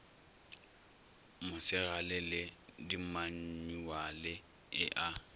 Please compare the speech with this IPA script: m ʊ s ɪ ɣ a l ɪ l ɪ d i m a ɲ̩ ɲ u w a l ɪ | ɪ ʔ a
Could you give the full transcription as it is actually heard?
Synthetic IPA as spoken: m ʊ s ɪ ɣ a l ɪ l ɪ d i m a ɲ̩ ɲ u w a l ɪ | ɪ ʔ a